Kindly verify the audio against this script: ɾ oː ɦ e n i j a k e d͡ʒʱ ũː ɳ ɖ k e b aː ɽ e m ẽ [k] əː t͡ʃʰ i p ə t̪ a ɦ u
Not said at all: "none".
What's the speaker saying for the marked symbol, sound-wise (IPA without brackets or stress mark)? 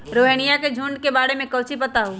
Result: k